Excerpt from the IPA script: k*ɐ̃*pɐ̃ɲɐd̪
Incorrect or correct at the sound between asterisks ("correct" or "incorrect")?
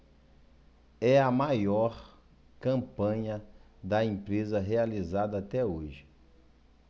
correct